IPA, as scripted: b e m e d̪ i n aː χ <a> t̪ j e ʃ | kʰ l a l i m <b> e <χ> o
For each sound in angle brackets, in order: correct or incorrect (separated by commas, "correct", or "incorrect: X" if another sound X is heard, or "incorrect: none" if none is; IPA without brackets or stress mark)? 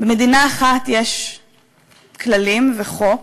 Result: correct, incorrect: v, correct